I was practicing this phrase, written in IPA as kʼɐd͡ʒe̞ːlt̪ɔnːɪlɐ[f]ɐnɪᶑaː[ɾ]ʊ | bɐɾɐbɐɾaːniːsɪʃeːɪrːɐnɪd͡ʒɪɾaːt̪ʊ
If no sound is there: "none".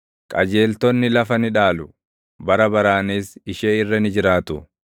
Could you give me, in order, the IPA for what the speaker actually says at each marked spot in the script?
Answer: f, l

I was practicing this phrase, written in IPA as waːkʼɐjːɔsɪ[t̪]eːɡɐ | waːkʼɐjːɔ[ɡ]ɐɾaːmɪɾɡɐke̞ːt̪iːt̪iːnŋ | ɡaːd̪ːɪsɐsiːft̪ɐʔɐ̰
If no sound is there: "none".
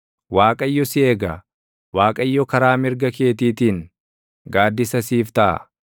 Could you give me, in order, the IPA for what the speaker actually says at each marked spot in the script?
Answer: none, k

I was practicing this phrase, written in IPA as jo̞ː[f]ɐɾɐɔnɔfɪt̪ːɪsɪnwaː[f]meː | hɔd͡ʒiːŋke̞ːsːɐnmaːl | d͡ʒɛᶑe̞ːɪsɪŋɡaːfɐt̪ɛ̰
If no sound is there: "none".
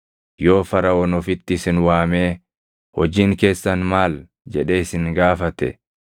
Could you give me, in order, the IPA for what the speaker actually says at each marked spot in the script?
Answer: f, none

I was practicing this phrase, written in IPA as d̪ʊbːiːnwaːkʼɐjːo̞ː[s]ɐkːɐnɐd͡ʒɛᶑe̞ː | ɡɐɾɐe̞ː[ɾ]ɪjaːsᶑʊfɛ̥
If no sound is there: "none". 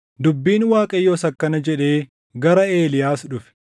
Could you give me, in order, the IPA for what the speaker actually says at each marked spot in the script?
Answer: s, l

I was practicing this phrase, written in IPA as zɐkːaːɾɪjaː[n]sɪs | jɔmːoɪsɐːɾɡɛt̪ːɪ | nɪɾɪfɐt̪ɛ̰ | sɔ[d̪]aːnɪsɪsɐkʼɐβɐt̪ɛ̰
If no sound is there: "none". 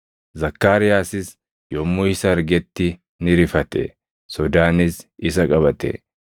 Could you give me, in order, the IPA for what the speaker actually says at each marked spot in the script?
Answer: none, d̪

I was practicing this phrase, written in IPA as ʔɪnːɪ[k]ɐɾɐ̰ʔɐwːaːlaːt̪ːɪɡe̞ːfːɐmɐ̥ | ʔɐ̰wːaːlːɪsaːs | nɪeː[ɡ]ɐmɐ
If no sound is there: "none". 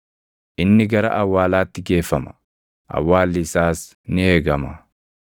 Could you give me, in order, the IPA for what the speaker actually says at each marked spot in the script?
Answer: ɡ, ɡ

